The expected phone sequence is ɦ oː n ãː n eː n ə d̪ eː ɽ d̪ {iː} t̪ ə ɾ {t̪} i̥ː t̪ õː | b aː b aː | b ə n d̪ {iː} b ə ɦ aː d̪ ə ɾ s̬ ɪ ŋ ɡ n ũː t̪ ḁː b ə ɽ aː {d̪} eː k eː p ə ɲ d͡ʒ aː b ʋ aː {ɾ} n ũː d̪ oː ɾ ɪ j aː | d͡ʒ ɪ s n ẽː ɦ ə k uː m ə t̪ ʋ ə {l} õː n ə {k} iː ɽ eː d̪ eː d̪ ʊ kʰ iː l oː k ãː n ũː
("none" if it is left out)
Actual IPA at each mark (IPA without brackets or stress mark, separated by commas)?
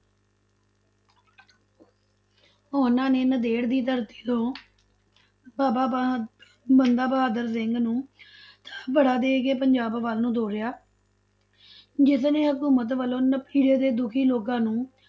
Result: iː, t̪, aː, d̪, l, l, p